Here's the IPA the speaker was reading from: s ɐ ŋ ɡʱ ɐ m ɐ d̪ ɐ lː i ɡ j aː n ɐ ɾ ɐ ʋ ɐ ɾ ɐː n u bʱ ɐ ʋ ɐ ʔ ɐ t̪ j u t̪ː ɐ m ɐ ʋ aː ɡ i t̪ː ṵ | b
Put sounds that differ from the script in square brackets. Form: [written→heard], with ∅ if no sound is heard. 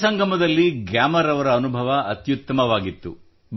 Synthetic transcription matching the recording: s ɐ ŋ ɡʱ ɐ m ɐ d̪ ɐ lː i ɡ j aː [n→m] ɐ ɾ ɐ ʋ ɐ ɾ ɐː n u bʱ ɐ ʋ ɐ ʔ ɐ t̪ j u t̪ː ɐ m ɐ ʋ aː ɡ i t̪ː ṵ | b